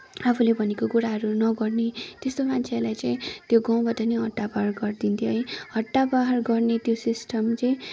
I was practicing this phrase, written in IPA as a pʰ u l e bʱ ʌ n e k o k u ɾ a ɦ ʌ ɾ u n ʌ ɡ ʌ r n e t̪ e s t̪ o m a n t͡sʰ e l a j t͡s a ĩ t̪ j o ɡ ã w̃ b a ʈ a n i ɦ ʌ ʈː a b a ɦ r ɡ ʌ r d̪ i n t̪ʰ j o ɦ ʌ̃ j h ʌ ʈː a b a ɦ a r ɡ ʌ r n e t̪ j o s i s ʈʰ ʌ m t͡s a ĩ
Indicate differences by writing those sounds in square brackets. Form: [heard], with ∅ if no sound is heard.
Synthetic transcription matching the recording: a pʰ u l e bʱ ʌ n e k o k u ɾ a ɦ ʌ ɾ u n ʌ ɡ ʌ r n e t̪ e s t̪ o m a n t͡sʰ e l a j t͡s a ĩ t̪ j o ɡ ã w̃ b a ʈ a n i ɦ ʌ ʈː a b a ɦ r ɡ ʌ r d̪ i n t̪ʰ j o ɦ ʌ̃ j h ʌ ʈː a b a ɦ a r ɡ ʌ r n e t̪ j o s i s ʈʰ ʌ m t͡s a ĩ